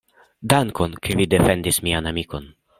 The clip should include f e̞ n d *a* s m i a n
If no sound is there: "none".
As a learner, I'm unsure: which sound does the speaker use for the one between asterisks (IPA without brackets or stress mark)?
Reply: i